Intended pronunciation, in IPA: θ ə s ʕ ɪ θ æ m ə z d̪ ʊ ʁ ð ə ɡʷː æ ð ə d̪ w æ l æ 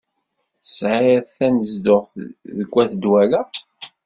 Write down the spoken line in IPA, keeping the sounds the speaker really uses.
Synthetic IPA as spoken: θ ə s ʕ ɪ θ æ n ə z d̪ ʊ ʁ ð ə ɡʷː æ θ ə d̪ w æ l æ